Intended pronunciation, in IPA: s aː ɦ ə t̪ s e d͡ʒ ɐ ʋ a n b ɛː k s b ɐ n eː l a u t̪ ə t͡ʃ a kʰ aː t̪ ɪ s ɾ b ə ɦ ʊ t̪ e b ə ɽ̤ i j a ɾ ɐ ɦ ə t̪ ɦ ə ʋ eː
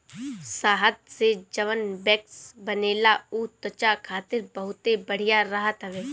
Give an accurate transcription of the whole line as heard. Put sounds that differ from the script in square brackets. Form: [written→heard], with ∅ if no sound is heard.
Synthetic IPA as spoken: s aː ɦ ə t̪ s e d͡ʒ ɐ ʋ [a→ə] n b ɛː k s b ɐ n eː l a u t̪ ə t͡ʃ a kʰ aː t̪ ɪ [s→∅] ɾ b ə ɦ ʊ t̪ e b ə ɽ̤ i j a ɾ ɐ ɦ ə t̪ ɦ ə ʋ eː